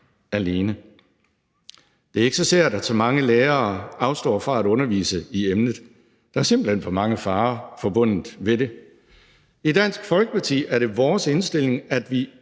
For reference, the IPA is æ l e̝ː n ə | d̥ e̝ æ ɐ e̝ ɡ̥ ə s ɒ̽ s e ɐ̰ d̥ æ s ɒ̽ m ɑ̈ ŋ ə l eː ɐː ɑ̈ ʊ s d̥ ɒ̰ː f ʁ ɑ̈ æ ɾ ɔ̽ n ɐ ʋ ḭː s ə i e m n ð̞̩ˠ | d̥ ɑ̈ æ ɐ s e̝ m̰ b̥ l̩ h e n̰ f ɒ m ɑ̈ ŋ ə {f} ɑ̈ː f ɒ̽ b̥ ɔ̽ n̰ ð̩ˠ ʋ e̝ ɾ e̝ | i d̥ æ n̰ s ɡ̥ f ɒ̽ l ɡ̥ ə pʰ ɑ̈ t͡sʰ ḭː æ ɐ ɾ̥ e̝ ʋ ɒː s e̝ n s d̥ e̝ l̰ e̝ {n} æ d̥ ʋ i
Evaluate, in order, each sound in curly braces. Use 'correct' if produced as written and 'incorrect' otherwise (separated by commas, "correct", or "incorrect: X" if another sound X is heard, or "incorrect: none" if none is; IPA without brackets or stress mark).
correct, incorrect: ŋ